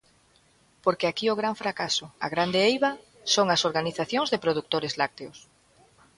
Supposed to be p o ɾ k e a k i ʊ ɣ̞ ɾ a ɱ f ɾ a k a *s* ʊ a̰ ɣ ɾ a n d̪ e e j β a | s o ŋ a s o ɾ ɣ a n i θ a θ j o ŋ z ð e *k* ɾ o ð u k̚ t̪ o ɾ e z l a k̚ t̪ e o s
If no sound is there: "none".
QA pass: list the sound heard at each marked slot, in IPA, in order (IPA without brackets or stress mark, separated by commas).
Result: s, p